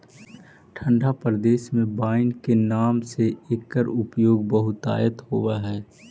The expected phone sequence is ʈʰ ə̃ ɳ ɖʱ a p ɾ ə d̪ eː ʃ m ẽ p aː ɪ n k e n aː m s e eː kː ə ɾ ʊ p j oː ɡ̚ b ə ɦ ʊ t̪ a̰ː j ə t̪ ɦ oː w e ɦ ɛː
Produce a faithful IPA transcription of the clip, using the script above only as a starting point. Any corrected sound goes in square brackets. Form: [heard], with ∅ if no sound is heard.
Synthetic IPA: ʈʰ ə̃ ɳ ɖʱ a p ɾ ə d̪ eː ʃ m ẽ [b] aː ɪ n k e n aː m s e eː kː ə ɾ ʊ p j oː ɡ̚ b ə ɦ ʊ t̪ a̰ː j ə t̪ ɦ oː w [a] ɦ ɛː